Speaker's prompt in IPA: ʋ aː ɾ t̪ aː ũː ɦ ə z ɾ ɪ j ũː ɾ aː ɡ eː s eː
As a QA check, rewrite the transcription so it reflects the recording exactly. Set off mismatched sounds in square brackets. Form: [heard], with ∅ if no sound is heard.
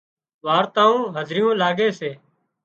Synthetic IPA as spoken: ʋ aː ɾ t̪ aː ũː ɦ ə z ɾ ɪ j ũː [l] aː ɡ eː s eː